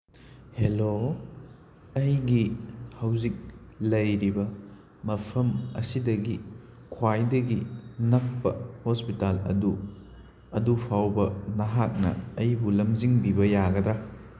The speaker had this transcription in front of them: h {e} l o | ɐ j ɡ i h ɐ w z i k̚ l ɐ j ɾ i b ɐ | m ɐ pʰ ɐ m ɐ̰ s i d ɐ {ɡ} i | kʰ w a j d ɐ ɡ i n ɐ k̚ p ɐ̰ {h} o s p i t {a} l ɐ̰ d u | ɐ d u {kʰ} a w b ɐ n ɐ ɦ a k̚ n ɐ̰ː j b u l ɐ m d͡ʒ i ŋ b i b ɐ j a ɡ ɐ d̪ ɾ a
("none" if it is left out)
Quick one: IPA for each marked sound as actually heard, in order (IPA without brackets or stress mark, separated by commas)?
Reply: e, ɡ, h, a, pʰ